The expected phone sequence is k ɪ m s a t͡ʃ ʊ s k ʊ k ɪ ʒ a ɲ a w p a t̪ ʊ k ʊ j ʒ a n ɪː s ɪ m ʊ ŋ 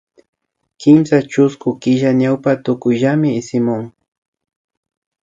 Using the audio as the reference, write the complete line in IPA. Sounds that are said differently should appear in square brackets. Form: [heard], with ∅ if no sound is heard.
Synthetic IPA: k ɪ m s a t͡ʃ ʊ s k ʊ k ɪ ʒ a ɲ a w p a t̪ ʊ k ʊ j ʒ a [m] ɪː s ɪ m ʊ ŋ